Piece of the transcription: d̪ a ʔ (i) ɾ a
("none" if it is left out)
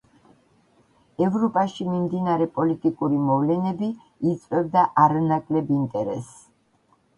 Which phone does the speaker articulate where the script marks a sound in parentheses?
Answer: a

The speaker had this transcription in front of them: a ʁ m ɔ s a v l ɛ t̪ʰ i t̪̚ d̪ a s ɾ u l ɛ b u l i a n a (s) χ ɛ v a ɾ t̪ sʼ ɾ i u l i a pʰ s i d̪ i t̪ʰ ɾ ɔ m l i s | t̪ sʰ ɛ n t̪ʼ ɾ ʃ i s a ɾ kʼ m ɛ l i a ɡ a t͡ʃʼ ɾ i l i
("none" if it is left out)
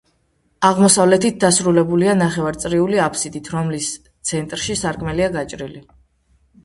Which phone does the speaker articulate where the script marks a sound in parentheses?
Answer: none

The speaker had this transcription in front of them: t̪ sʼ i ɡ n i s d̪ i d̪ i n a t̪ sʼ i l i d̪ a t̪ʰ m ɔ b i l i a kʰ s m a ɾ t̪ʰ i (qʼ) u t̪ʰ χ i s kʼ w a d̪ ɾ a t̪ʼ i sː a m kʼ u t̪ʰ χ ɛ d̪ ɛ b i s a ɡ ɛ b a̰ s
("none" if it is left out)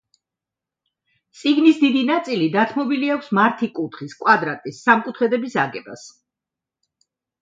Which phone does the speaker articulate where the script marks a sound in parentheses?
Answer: kʼ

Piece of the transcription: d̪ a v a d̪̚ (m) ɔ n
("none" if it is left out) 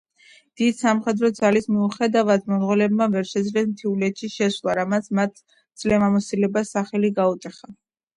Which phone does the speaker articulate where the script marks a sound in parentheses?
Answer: m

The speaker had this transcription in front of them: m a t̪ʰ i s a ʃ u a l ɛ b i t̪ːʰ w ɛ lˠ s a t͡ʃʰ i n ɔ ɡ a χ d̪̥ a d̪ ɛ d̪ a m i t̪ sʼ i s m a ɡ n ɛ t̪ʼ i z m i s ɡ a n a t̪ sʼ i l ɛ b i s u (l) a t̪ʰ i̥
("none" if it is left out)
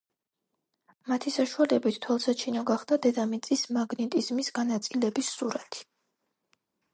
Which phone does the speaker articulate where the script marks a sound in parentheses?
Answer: ɾ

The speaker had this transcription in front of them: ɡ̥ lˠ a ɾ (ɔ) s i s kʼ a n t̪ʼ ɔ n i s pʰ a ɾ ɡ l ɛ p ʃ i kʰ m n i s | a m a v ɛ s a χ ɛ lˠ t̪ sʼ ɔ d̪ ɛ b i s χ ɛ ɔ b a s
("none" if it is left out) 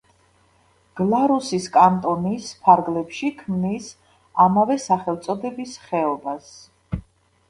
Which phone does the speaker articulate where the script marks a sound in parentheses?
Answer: u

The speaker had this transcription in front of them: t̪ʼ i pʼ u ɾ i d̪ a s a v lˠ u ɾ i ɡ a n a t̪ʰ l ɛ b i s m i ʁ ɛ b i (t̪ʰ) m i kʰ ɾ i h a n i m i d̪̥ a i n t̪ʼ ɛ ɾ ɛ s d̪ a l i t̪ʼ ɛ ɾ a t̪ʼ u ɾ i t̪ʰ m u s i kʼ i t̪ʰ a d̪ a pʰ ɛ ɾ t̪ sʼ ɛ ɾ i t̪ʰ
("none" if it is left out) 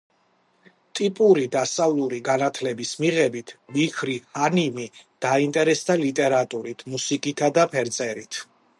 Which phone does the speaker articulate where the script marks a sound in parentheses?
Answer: t̪ʰ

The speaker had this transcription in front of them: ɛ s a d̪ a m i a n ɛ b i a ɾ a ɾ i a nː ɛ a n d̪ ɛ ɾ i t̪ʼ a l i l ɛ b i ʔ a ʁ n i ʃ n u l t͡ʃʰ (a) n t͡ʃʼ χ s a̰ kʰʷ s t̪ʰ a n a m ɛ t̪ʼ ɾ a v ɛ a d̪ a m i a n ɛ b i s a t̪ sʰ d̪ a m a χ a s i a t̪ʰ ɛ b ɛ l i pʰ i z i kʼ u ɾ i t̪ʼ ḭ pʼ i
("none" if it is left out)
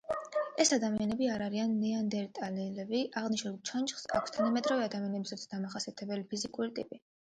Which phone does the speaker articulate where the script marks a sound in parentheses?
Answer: a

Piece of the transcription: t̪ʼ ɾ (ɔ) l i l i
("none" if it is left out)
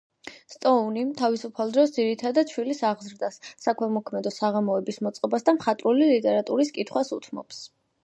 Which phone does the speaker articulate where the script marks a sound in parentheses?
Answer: u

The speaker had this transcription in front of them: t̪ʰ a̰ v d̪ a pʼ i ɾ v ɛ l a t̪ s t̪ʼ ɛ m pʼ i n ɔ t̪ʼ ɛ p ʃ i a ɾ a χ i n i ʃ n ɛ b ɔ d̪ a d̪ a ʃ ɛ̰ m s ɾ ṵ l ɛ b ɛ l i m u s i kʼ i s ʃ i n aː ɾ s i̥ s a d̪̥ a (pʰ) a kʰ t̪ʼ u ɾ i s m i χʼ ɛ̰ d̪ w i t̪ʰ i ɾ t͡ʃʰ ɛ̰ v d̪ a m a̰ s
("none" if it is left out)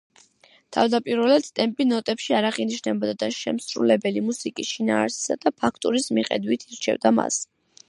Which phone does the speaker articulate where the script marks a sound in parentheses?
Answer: pʰ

